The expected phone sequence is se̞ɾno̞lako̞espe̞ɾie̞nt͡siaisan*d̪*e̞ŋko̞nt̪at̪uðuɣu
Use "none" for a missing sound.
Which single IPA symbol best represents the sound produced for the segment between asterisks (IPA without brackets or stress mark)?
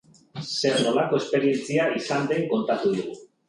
d̪